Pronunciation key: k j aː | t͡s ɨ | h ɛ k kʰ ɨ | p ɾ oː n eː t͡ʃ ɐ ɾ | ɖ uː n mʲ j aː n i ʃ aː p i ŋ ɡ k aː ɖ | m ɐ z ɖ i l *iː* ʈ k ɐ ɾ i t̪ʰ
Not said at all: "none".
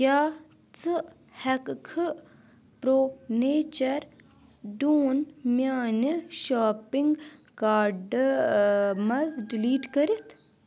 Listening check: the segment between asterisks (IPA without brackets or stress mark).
iː